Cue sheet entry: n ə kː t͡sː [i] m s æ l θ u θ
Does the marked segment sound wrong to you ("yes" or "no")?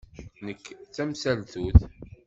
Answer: yes